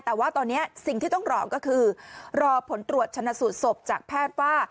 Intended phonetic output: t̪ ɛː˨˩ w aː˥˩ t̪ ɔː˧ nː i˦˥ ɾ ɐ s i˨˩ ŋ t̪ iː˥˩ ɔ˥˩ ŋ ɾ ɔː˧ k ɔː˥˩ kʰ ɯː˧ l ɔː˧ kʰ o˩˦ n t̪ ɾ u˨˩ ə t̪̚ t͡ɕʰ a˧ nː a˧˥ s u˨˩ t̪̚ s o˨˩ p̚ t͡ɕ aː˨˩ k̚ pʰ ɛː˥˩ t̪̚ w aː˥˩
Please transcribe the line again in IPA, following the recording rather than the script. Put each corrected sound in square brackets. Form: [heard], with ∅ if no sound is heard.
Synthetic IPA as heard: t̪ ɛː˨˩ w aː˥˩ t̪ ɔː˧ nː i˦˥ [∅] ɐ s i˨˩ ŋ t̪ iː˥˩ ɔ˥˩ ŋ ɾ ɔː˧ k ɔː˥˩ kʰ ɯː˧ [ɾ] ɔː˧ [pʰ] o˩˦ n t̪ ɾ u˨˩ ə t̪̚ t͡ɕʰ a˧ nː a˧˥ s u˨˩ t̪̚ s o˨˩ p̚ t͡ɕ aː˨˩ k̚ pʰ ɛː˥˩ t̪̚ w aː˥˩